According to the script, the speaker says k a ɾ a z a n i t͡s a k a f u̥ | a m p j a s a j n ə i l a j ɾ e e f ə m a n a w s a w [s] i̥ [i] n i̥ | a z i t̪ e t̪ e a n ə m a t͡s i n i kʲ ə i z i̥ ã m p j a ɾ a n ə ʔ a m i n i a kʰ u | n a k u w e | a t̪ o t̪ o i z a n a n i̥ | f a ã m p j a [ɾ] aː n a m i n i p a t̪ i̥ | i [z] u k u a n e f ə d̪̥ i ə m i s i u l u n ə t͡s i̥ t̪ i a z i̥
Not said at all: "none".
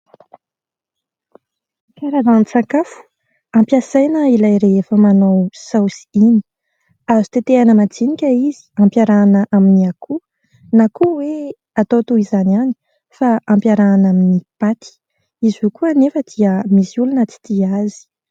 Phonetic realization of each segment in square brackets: s, i, ɾ, z

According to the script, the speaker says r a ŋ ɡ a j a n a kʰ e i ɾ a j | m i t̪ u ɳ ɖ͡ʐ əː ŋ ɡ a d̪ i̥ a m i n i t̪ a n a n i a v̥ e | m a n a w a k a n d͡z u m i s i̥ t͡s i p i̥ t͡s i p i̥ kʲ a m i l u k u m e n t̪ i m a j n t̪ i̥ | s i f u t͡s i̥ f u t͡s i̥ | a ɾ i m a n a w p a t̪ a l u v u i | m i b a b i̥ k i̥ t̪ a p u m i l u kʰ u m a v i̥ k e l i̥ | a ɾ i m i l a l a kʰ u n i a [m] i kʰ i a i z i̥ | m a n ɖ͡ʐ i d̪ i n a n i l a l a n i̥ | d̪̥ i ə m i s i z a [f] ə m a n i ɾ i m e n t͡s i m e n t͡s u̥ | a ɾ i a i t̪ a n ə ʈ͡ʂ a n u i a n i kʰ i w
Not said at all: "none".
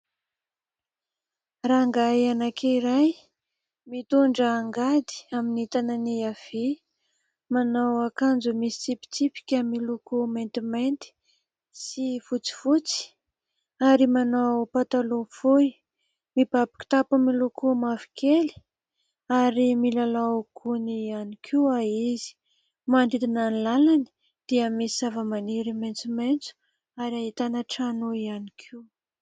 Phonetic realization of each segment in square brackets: n, v

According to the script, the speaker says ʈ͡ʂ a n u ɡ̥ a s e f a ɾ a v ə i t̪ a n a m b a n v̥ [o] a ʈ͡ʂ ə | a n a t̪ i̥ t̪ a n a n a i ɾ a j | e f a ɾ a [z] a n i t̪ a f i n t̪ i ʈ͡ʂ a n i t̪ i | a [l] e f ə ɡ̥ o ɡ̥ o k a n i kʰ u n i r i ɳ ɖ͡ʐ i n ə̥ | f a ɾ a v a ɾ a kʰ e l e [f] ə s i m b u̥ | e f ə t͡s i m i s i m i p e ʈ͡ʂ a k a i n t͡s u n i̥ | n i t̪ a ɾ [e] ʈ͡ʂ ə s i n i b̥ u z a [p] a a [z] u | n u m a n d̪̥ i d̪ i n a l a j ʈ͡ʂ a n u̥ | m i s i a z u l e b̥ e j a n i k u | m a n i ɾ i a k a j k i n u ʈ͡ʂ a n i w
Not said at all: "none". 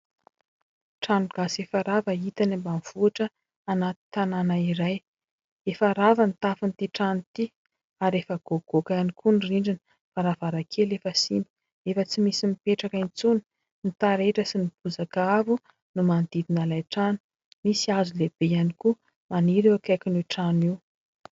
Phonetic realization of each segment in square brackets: u, v, ɾ, f, e, k, v

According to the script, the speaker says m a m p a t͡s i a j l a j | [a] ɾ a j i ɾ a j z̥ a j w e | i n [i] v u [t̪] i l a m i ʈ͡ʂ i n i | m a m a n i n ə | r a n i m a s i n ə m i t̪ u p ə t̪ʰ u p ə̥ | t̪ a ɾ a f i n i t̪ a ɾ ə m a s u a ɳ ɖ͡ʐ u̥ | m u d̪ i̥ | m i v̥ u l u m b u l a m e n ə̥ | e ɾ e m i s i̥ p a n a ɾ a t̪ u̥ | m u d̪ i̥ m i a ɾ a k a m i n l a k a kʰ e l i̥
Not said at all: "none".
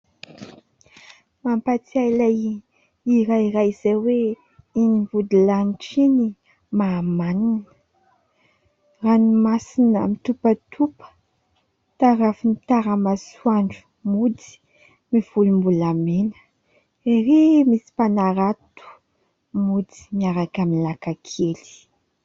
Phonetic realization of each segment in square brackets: i, i, d̪

